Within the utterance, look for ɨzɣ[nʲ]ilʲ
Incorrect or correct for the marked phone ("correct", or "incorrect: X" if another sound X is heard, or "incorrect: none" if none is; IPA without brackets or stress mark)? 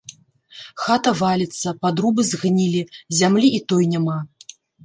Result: correct